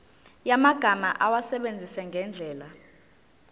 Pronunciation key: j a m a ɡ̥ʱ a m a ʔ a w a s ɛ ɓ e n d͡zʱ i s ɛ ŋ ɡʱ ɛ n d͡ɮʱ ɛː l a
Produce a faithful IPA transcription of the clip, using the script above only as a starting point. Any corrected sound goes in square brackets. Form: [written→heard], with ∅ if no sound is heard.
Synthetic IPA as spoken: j a m a ɡ̥ʱ a m a ʔ a w a s ɛ ɓ e n d͡zʱ i s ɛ ŋ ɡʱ ɛ n d͡ɮʱ ɛː l a